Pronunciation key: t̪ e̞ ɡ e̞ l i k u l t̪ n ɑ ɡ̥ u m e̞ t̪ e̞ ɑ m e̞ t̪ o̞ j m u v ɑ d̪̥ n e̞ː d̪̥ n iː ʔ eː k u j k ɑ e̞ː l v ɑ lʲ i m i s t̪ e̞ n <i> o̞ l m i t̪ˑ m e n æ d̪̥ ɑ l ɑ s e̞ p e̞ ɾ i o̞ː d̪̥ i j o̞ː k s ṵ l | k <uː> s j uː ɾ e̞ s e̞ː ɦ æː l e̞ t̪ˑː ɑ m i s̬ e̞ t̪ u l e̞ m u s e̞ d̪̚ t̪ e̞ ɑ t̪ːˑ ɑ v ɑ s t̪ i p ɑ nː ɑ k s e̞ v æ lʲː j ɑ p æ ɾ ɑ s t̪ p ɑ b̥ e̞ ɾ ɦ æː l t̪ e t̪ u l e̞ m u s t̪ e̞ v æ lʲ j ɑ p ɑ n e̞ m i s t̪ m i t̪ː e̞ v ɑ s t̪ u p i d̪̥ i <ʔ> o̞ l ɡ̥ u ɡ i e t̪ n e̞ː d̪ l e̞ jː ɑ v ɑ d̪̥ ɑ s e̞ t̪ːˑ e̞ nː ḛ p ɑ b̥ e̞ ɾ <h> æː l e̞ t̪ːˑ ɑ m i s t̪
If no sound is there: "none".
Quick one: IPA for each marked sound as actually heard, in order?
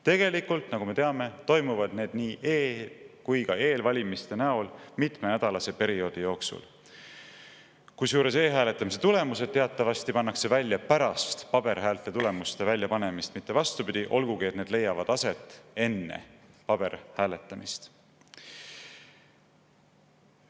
æ, u, ʔ, h

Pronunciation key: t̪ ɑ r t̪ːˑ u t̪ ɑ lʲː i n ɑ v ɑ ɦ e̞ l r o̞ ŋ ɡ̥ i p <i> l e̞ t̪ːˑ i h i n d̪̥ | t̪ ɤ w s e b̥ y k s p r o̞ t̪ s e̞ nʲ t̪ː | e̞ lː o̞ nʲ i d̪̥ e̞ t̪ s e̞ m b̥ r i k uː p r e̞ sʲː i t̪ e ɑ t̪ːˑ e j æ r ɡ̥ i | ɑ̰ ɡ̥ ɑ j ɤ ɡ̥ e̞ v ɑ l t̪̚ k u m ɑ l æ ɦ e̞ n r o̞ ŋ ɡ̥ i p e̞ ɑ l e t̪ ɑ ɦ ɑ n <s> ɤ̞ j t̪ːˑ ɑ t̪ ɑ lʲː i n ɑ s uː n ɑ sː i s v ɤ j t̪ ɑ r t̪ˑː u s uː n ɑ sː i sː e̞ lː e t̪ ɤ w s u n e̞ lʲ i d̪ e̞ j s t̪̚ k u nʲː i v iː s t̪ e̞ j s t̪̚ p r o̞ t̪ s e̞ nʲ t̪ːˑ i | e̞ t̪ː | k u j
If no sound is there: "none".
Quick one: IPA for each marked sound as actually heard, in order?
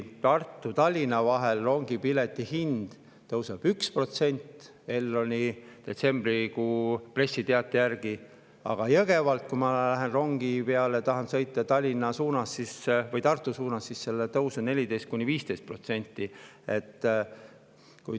i, s

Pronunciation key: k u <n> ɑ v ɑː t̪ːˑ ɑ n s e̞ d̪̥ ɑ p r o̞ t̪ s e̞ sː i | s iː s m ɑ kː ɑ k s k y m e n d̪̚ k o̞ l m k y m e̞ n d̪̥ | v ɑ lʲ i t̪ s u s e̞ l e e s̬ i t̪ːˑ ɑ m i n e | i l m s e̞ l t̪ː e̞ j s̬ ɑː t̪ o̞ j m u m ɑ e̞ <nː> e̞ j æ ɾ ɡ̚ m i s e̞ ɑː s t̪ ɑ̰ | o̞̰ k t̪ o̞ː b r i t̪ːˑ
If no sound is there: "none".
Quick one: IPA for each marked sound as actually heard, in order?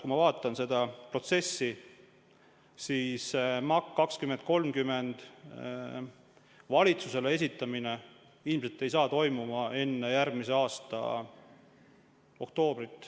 m, nː

